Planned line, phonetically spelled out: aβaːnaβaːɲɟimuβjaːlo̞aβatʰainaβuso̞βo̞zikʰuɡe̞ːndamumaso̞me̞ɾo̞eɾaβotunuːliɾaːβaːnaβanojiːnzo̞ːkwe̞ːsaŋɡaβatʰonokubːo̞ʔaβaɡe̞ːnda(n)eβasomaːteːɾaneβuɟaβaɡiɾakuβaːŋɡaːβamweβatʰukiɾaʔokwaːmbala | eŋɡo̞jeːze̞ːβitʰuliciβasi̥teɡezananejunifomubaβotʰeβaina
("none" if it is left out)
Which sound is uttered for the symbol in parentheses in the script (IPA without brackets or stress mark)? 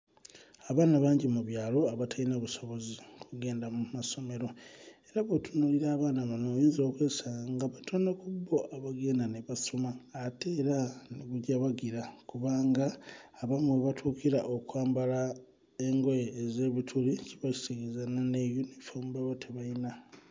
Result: n